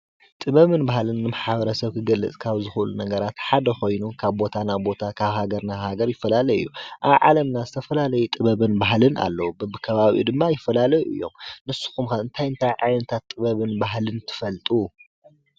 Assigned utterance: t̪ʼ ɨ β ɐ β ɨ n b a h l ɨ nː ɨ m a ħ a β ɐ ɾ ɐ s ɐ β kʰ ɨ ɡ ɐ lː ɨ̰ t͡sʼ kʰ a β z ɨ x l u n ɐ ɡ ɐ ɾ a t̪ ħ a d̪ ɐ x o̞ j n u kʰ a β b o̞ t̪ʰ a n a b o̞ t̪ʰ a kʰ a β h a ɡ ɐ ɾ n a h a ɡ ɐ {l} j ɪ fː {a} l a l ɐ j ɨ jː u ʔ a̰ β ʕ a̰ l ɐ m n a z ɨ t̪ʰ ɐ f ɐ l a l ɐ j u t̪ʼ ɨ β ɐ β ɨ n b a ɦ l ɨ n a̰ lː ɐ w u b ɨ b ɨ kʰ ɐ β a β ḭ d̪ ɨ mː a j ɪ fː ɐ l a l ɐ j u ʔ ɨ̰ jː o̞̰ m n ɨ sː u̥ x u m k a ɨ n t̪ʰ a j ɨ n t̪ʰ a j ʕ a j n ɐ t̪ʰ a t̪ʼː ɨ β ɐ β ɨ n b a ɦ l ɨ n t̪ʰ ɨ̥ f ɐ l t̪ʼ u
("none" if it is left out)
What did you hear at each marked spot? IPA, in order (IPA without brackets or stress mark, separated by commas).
ɾ, ɐ